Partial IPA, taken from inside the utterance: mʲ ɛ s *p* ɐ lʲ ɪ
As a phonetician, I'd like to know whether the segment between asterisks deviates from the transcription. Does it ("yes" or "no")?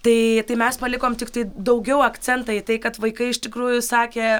no